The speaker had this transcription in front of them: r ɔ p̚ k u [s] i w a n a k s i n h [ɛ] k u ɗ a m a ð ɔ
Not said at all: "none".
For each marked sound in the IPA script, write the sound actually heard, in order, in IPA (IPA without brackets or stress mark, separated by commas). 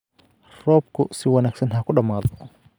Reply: s, a